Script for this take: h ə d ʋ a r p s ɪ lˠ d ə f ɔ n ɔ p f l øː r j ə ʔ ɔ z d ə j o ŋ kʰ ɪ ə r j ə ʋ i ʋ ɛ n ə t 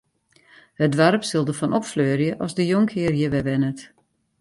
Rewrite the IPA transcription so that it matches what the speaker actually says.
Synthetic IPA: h ə d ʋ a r p s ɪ lˠ d ə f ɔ n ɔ p f l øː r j ə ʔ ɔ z d ə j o ŋ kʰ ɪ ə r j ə ʋ ɛ ʋ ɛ n ə t